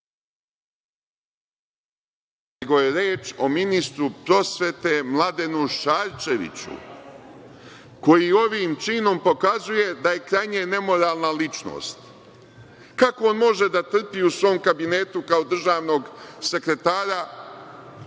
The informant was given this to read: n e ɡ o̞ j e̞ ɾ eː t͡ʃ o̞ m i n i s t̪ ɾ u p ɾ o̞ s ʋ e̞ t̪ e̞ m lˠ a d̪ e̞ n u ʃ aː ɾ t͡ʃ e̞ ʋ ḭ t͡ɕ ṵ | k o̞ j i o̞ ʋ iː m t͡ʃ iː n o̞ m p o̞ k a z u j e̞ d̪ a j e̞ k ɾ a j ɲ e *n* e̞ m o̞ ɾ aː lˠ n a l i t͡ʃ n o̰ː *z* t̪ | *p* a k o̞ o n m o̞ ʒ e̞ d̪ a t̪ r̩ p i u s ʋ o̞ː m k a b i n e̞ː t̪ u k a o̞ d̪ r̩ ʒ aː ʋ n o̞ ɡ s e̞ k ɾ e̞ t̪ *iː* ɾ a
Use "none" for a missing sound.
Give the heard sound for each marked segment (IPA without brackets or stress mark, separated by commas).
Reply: n, s, k, aː